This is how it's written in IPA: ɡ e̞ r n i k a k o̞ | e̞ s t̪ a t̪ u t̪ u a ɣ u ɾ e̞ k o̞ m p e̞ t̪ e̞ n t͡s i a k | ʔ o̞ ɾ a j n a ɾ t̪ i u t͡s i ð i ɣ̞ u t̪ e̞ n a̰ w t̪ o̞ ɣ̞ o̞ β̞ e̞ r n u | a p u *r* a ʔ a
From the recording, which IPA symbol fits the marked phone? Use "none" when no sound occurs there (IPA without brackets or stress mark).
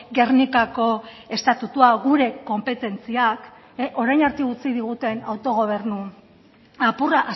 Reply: r